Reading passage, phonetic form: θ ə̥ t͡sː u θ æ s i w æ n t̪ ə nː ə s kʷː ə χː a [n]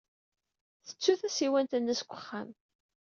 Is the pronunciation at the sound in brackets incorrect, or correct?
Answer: incorrect